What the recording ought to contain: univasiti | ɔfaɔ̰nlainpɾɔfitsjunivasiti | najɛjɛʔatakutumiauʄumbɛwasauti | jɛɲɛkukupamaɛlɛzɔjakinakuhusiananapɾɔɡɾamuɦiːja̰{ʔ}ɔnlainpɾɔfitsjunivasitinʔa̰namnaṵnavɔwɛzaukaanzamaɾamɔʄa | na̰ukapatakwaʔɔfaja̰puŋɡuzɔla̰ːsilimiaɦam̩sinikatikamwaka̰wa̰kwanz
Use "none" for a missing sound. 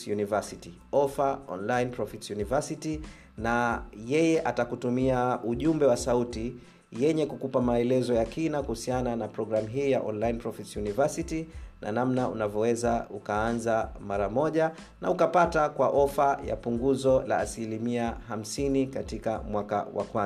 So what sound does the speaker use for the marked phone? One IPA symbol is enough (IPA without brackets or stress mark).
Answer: ʔ